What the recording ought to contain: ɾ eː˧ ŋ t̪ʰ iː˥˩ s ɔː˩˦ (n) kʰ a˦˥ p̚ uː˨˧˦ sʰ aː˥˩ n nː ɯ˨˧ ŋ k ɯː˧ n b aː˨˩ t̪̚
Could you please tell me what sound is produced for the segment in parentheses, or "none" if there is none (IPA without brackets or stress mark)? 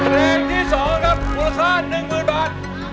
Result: ŋ